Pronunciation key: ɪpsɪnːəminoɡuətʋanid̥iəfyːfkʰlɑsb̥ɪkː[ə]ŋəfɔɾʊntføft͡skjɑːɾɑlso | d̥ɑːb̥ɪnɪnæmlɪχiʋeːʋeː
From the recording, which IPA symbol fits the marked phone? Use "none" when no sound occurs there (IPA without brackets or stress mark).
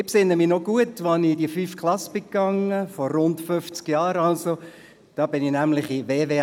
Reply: ɑ